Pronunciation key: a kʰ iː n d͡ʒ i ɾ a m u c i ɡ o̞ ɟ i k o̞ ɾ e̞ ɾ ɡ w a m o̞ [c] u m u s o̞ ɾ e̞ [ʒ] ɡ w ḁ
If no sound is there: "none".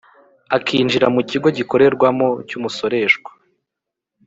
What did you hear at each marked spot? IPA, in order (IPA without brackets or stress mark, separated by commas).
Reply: c, ʃ